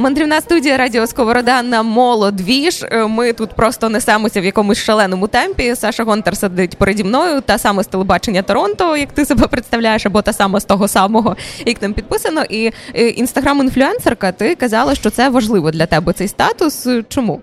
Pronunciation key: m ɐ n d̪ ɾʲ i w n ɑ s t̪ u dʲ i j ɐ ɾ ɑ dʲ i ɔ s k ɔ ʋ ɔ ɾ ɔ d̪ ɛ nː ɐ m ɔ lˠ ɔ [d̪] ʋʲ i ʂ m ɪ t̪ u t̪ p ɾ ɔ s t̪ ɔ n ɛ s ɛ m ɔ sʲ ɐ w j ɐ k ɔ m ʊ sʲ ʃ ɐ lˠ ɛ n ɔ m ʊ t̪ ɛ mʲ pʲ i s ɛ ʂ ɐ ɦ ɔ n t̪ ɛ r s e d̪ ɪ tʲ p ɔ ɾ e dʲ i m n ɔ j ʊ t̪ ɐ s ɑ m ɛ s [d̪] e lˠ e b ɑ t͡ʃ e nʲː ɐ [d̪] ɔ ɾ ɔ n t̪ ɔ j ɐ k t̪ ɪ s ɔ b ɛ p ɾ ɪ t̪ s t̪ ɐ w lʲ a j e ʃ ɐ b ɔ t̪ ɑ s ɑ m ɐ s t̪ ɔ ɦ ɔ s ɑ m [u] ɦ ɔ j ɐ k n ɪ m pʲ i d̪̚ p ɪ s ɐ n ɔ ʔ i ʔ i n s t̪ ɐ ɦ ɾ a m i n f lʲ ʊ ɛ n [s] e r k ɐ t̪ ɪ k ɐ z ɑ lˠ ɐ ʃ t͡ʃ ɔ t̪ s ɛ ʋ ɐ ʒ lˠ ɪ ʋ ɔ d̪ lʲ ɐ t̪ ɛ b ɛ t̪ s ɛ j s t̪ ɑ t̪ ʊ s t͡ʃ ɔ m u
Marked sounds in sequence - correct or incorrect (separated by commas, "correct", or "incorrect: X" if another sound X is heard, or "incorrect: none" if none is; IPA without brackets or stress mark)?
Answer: correct, incorrect: t̪, incorrect: t̪, incorrect: ɔ, correct